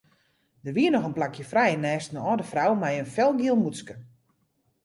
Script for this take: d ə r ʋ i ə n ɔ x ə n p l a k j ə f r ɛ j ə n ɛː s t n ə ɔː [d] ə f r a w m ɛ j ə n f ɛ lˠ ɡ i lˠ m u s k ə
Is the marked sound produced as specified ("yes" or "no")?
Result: yes